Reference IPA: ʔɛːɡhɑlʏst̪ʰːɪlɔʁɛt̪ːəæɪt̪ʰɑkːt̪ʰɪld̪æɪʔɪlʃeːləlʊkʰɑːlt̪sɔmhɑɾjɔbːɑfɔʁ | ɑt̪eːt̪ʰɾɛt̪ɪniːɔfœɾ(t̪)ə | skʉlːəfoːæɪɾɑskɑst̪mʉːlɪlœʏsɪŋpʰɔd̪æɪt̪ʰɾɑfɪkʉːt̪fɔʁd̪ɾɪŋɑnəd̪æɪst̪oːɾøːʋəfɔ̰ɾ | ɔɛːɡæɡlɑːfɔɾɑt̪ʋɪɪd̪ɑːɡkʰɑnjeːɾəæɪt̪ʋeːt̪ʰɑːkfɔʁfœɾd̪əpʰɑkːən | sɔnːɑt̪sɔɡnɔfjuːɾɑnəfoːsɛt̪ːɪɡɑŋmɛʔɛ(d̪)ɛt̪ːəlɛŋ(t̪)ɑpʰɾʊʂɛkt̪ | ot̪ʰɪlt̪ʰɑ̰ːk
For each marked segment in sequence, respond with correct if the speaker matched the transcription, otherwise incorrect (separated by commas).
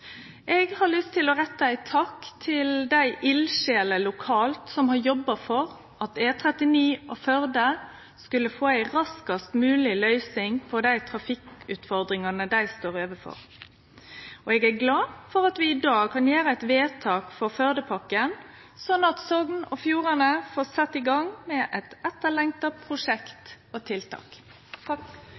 incorrect, incorrect, correct